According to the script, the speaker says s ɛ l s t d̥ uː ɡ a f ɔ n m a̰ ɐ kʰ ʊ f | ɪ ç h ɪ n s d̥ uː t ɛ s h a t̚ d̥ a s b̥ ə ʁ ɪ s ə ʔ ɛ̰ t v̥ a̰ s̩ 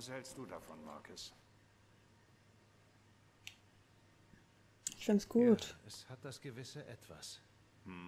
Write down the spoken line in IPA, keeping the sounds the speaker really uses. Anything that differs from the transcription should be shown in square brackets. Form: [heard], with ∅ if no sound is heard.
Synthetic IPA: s ɛ l s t d̥ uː [d] a f ɔ n m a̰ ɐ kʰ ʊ [s] | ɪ ç [f] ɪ n s [ɡ̥] uː t ɛ s h a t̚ d̥ a s [ɡ̥] ə [v] ɪ s ə ʔ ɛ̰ t v̥ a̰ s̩